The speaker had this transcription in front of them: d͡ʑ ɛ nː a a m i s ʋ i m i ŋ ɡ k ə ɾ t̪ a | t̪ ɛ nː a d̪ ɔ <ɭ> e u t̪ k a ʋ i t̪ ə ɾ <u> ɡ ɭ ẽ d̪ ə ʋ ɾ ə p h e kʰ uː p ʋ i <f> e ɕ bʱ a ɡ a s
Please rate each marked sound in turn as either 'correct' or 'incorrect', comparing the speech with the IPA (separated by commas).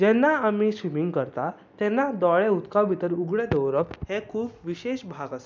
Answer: correct, correct, incorrect